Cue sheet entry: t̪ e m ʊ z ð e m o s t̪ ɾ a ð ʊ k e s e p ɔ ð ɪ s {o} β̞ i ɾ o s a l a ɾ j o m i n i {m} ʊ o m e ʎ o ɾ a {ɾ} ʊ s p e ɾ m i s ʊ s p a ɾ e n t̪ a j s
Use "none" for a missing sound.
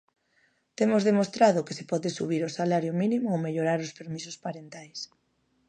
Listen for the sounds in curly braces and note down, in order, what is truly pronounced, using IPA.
u, m, ɾ

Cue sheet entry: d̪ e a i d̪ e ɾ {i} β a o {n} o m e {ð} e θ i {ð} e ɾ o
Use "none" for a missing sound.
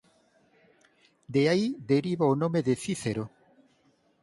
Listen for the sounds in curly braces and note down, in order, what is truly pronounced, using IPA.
i, n, ð, θ

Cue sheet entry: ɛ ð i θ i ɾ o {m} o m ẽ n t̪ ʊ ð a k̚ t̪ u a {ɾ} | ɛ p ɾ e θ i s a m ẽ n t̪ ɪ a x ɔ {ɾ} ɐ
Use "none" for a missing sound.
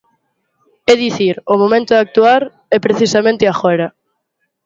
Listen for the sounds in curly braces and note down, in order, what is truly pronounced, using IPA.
m, ɾ, ɾ

